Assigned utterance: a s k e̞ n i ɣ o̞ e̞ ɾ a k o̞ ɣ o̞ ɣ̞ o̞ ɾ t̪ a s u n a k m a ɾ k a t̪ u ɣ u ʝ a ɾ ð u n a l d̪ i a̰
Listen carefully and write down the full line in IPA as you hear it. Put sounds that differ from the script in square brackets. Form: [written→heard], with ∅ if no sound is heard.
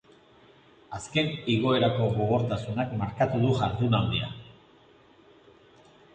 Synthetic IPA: a s k e̞ n i ɣ o̞ e̞ ɾ a k o̞ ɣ o̞ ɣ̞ o̞ ɾ t̪ a s u n a k m a ɾ k a t̪ u [ɣ→ð] u ʝ a ɾ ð u n a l d̪ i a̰